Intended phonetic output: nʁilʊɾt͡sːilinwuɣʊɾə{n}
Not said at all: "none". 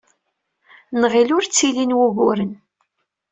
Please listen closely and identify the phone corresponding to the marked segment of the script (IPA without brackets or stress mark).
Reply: n